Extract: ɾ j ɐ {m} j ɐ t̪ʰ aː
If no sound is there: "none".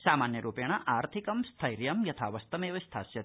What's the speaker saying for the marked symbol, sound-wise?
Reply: m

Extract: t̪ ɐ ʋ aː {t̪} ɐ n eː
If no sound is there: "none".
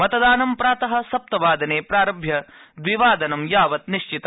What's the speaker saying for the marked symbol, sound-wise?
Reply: d̪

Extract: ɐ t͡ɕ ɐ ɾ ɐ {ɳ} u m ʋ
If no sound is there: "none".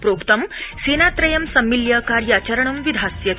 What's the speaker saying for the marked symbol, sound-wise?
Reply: ɳ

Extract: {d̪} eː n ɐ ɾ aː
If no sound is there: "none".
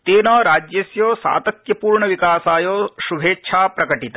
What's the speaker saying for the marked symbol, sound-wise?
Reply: t̪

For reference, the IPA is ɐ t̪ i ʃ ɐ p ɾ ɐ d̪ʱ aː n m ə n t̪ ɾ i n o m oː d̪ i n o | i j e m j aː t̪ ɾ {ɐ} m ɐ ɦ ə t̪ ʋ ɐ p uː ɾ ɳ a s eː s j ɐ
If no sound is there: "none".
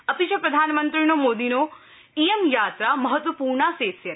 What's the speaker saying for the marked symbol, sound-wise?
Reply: a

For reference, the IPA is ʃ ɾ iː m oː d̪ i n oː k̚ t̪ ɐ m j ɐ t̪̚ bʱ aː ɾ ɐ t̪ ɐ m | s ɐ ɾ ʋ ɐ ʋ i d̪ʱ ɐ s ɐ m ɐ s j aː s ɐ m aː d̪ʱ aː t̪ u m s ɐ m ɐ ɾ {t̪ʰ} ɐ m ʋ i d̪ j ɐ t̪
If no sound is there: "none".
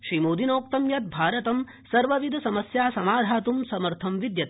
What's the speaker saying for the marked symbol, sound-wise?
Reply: t̪ʰ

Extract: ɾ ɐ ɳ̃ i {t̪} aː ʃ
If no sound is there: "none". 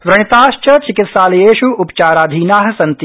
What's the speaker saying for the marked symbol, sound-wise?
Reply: t̪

